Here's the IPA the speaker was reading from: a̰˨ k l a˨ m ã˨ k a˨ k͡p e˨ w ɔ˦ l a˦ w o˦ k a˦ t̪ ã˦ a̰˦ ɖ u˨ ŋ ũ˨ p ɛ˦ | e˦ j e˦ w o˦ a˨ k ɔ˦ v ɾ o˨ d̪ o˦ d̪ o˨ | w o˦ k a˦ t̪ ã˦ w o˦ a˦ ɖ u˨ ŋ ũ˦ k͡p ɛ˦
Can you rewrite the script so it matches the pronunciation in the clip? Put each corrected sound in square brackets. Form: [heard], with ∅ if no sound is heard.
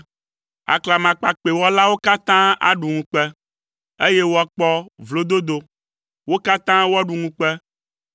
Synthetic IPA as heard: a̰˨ k l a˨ m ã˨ [k͡p] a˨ k͡p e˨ w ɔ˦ l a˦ w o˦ k a˦ t̪ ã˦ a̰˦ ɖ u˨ ŋ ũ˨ [k͡p] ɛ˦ | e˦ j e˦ w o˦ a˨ [k͡p] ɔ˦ v [l] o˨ d̪ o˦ d̪ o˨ | w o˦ k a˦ t̪ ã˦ w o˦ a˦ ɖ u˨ ŋ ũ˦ k͡p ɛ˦